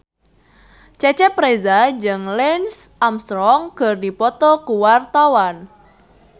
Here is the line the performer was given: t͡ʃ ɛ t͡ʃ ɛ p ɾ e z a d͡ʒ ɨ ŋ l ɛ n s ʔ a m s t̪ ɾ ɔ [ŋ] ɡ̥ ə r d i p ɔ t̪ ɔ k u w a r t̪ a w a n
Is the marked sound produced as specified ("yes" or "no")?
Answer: yes